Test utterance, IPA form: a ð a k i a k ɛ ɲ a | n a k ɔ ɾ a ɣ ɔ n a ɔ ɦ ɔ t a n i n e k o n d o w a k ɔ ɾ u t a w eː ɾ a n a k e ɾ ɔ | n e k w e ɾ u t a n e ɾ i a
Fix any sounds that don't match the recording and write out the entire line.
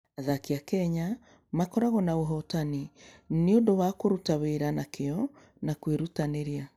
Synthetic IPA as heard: a ð a k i a k ɛ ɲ a | m a k ɔ ɾ a ɣ ɔ n a o ɦ ɔ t a n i n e o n d o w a k o ɾ u t a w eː ɾ a n a k e ɔ | n a k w e ɾ u t a n e ɾ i a